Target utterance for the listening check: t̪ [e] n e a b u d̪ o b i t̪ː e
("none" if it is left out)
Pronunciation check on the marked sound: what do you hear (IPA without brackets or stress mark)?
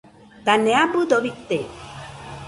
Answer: a